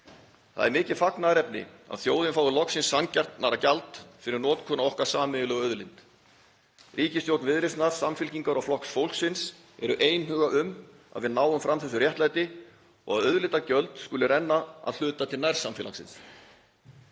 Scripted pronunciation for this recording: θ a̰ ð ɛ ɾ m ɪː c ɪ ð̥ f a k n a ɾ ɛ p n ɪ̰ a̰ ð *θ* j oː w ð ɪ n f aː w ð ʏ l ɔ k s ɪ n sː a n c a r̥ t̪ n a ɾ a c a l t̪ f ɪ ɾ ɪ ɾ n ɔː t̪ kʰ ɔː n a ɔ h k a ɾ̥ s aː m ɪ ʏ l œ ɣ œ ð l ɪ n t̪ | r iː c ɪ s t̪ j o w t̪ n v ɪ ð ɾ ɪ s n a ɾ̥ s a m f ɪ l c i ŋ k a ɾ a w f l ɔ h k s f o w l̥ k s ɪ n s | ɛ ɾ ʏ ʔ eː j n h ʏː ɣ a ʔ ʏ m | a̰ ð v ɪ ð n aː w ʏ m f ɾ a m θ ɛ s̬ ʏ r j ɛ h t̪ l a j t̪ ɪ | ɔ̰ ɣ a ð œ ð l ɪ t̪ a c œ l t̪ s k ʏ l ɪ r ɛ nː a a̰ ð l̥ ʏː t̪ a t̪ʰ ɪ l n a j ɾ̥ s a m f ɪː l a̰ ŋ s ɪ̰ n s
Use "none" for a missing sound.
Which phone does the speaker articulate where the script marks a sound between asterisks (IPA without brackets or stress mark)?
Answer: θ